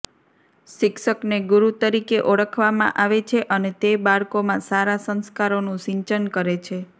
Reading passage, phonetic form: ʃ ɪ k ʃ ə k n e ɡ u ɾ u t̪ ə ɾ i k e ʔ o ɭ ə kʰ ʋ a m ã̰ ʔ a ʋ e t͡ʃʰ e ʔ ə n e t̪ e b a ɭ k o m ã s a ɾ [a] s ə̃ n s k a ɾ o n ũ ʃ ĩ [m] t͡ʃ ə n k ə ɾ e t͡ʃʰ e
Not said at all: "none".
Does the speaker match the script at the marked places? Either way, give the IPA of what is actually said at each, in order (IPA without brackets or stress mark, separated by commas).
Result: a, ɲ